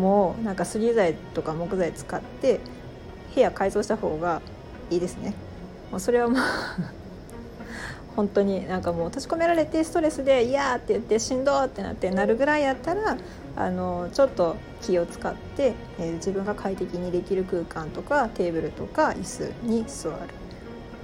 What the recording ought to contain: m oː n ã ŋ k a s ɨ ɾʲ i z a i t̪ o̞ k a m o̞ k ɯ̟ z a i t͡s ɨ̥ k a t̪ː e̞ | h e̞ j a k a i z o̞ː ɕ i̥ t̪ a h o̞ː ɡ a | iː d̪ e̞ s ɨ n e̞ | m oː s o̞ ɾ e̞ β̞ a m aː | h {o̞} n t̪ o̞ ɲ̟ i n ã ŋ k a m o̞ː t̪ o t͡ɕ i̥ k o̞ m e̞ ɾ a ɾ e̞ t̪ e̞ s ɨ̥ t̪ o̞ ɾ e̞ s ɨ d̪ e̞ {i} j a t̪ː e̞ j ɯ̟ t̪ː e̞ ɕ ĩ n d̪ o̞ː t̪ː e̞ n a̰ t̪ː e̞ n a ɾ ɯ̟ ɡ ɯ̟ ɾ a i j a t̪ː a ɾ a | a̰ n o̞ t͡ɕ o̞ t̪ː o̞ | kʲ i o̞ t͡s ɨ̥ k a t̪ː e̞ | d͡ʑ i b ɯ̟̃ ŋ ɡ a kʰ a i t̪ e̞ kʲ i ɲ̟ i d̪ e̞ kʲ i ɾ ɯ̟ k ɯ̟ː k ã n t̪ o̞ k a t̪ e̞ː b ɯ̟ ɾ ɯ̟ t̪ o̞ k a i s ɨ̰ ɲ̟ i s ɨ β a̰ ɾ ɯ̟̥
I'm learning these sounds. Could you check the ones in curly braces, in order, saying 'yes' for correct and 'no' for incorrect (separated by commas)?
no, yes